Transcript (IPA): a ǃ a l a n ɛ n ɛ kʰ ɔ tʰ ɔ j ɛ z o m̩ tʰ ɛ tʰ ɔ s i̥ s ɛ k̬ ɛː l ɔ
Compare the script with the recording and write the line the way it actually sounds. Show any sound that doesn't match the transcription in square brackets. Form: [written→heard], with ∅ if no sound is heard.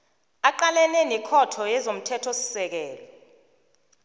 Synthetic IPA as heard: a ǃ a l [a→ɛ] n ɛ n ɛ kʰ ɔ tʰ ɔ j ɛ z o m̩ tʰ ɛ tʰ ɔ s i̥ s ɛ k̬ ɛː l ɔ